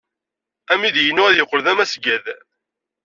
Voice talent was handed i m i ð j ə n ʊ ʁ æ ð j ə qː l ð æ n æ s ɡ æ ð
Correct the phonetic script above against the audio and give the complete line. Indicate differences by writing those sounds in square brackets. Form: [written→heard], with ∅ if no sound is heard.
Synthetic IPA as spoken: [i→æ] m i ð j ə n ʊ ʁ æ ð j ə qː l ð æ [n→m] æ s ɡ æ ð